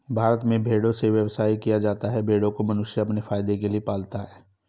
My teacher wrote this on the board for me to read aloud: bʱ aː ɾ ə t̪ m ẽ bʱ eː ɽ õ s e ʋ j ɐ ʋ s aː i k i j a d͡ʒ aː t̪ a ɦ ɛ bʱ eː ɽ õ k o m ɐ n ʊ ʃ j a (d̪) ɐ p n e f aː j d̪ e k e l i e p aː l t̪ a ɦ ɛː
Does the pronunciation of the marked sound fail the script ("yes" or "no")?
yes